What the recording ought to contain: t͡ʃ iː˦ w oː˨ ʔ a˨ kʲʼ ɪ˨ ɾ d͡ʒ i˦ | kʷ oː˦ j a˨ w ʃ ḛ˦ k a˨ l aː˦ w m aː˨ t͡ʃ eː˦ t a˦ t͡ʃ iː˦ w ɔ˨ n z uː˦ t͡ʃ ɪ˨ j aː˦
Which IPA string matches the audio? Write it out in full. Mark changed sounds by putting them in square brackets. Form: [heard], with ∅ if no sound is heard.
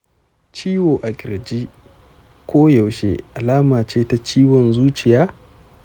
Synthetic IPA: t͡ʃ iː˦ w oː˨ ʔ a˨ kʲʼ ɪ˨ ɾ d͡ʒ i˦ | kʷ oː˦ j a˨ w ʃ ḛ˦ [ʔ] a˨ l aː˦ [∅] m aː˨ t͡ʃ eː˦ t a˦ t͡ʃ iː˦ w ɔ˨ n z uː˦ t͡ʃ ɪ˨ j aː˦